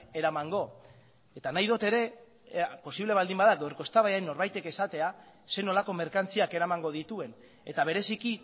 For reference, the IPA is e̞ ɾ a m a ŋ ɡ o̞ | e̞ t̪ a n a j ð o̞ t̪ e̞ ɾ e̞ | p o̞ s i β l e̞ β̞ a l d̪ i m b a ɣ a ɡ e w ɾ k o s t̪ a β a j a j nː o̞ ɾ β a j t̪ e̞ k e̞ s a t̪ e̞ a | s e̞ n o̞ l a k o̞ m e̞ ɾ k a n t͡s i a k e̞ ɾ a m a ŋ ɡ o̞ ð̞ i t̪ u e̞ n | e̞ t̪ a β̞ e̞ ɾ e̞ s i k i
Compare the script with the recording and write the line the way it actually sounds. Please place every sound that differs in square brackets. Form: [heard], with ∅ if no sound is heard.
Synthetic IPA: e̞ ɾ a m a ŋ ɡ o̞ | e̞ t̪ a n a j ð o̞ t̪ e̞ ɾ e̞ | p o̞ s i β l e̞ β̞ a l d̪ i m b a [ð] a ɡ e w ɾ k o s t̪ a β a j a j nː o̞ ɾ β a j t̪ e̞ k e̞ s a t̪ e̞ a | s e̞ n o̞ l a k o̞ m e̞ ɾ k a n t͡s i a k e̞ ɾ a m a ŋ ɡ o̞ ð̞ i t̪ u e̞ n | e̞ t̪ a β̞ e̞ ɾ e̞ s i k i